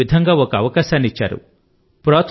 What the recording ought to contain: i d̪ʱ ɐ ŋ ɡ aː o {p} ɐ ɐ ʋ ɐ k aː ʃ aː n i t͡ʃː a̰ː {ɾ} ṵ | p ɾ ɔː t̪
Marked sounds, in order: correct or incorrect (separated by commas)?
incorrect, correct